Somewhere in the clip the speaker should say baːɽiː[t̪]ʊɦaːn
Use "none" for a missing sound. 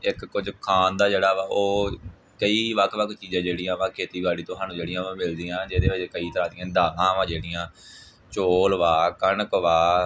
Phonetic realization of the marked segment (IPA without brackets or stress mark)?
t̪